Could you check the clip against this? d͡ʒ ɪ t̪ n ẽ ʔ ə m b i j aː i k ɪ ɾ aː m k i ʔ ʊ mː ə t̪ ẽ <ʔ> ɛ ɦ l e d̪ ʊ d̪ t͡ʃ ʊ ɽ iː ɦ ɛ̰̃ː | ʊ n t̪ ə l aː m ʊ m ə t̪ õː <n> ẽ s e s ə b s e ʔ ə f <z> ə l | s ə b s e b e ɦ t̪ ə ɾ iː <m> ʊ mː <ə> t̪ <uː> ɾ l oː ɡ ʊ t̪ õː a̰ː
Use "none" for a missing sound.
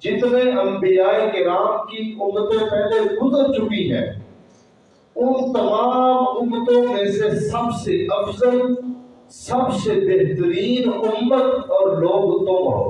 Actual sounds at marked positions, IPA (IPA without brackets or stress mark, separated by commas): p, m, z, n, ə, ɔː